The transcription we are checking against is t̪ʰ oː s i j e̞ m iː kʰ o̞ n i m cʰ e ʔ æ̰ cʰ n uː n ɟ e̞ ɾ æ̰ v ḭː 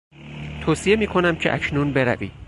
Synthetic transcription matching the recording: t̪ʰ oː s i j e̞ m iː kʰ o̞ n æ m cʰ e ʔ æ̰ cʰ n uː n b e̞ ɾ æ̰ v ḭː